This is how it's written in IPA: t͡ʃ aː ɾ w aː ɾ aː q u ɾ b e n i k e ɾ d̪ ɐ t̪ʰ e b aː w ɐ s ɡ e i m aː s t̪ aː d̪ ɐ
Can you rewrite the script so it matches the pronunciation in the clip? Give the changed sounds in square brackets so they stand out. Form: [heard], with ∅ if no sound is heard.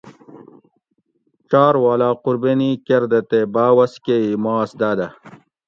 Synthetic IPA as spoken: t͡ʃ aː ɾ w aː [l] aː q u ɾ b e n i k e ɾ d̪ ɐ [t̪] e b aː w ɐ s [k] e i m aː s [d̪] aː d̪ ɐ